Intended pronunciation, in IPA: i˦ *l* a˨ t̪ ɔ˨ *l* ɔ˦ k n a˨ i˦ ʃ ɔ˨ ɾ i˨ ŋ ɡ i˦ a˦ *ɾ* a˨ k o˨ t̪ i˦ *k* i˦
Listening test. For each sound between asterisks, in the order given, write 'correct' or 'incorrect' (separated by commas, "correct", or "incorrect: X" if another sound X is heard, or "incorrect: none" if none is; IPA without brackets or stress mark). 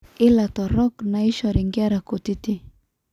correct, incorrect: ɾ, correct, incorrect: t